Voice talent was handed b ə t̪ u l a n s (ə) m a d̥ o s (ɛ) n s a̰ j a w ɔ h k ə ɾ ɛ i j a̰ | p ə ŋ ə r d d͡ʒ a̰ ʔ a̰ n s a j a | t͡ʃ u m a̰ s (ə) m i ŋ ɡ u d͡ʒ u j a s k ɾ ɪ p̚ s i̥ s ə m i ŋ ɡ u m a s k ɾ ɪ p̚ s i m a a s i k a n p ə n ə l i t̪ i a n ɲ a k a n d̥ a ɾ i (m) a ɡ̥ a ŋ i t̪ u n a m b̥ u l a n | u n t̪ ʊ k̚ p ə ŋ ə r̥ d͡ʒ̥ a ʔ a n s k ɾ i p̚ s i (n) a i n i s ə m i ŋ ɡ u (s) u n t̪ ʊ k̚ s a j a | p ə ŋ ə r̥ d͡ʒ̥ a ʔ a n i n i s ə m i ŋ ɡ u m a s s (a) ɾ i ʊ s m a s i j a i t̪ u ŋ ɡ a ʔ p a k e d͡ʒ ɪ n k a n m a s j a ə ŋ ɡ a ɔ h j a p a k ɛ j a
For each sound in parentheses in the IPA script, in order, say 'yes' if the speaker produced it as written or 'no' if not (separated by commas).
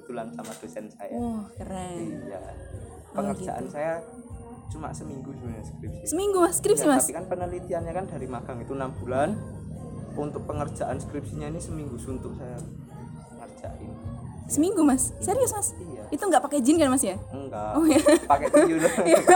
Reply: no, yes, yes, yes, no, yes, no